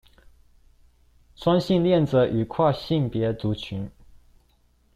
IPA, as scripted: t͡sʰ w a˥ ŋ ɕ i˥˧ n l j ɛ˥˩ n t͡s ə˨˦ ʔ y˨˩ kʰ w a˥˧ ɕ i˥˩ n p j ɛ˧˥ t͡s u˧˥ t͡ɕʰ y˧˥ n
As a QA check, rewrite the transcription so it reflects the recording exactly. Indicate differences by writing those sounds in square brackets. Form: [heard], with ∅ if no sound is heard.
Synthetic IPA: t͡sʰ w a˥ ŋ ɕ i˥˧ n l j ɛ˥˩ n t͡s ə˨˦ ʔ y˨˩ kʰ w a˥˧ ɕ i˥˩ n p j ɛ˧˥ t͡s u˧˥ t͡ɕʰ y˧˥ n